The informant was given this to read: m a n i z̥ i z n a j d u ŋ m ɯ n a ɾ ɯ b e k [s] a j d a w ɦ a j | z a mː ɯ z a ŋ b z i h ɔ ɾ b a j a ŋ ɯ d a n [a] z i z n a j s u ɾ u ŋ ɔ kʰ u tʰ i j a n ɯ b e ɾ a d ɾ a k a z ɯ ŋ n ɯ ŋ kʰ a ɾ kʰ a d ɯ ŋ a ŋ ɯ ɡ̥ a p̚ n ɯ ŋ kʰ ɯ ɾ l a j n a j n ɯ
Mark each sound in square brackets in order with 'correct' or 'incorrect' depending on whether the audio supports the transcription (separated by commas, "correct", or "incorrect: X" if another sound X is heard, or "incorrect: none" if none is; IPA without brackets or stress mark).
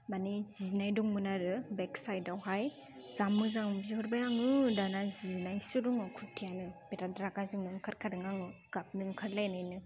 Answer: correct, correct